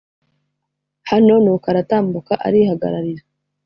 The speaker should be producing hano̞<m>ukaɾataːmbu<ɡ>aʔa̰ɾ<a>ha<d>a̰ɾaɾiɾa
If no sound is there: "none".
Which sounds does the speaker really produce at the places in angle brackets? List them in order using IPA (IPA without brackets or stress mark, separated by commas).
n, k, i, ɡ